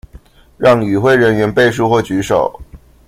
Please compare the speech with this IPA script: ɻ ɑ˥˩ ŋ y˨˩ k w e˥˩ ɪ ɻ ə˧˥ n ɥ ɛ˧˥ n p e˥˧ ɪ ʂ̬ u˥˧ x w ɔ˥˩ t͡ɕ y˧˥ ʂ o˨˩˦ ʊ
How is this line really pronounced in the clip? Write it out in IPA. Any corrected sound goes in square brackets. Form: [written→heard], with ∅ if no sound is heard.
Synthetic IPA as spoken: ɻ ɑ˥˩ ŋ y˨˩ [k→x] w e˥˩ ɪ ɻ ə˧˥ n ɥ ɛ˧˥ n p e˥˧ ɪ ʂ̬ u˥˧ x w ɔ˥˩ t͡ɕ y˧˥ ʂ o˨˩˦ ʊ